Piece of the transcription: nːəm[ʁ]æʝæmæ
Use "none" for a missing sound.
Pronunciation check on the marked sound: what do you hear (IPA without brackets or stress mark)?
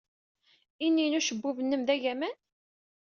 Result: ð